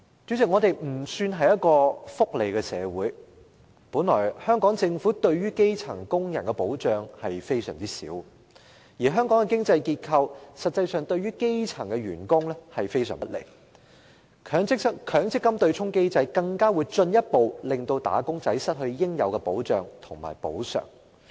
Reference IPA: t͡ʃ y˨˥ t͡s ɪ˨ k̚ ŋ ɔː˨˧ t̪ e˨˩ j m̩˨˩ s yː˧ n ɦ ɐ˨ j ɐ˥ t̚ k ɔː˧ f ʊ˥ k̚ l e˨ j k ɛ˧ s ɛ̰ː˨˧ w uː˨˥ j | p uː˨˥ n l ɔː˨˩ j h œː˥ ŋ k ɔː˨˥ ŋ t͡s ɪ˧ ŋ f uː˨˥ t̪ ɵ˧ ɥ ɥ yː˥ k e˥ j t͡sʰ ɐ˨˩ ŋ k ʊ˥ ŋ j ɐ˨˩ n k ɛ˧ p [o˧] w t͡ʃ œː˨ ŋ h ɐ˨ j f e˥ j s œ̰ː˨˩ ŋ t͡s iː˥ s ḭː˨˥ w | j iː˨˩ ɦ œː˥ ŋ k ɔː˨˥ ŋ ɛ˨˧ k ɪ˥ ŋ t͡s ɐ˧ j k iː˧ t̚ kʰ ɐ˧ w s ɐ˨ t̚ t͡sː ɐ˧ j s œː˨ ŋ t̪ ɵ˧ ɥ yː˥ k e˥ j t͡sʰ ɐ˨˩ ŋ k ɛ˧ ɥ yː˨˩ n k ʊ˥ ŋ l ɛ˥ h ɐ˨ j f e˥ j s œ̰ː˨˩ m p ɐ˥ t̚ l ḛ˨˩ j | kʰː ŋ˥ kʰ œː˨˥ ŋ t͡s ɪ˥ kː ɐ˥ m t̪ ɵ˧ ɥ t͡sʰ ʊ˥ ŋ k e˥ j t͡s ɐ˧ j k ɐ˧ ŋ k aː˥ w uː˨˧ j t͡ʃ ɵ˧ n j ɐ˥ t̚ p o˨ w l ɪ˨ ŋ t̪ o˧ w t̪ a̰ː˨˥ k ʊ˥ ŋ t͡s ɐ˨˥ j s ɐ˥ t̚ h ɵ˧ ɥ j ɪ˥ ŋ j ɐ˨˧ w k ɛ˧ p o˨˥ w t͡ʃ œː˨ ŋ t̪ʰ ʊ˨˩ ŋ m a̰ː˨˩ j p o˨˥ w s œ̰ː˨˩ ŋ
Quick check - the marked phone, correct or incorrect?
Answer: incorrect